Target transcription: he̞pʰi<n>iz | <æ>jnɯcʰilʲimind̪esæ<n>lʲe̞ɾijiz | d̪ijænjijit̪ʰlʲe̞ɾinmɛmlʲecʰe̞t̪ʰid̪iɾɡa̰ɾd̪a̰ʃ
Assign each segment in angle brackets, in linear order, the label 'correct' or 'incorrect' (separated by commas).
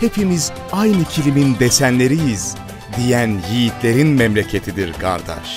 incorrect, incorrect, correct